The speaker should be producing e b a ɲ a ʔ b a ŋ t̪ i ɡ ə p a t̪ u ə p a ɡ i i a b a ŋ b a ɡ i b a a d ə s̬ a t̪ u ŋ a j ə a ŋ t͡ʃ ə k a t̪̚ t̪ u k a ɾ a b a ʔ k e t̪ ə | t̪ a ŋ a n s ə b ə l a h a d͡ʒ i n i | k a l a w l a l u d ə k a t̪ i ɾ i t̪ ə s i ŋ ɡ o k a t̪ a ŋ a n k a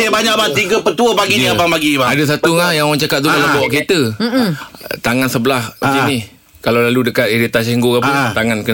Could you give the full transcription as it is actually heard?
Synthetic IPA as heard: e b a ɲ a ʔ b a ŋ t̪ i ɡ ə p ə t̪ u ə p a ɡ i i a b a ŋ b a ɡ i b a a d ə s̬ a t̪ u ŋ a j a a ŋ t͡ʃ a k a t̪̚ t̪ u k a l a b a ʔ k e t̪ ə | t̪ a ŋ a n s ə b ə l a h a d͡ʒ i n i | k a l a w l a l u d ə k a t̪ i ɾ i t̪ a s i ŋ ɡ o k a t̪ a ŋ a n k ə